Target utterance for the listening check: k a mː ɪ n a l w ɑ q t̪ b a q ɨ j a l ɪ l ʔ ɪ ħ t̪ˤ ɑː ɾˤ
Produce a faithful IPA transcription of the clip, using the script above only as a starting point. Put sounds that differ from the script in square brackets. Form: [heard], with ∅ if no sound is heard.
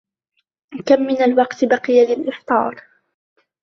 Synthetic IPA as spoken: k a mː ɪ n a l w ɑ q t̪ b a q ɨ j a l ɪ l ʔ ɪ ħ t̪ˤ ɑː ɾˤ